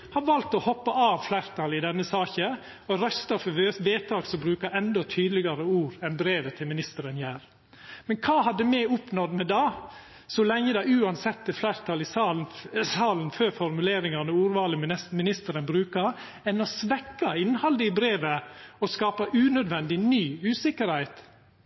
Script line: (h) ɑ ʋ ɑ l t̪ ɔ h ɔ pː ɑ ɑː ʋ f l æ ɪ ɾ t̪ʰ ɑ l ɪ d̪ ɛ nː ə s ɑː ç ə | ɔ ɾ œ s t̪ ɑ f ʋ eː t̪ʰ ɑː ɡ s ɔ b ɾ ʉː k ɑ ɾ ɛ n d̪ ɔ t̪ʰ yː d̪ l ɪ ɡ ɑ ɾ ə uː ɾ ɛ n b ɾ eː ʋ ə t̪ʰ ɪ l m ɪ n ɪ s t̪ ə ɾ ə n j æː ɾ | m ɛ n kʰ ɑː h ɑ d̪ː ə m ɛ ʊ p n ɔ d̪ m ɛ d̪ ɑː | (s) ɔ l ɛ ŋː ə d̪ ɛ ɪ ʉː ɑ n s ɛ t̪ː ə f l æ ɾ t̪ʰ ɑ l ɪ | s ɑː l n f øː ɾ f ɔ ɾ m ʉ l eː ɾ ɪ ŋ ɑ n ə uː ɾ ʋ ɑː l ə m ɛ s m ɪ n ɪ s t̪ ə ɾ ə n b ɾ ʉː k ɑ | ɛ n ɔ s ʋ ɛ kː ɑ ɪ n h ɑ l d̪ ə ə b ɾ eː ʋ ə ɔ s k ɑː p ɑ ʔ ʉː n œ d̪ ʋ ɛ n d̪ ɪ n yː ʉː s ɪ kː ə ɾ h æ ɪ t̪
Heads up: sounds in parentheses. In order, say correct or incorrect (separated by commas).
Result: correct, correct